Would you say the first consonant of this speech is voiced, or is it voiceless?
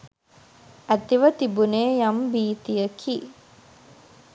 voiceless